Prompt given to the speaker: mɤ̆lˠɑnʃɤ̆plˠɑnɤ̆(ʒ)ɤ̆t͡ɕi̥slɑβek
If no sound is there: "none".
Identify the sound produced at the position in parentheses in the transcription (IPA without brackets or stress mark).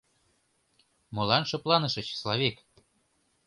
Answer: ʃ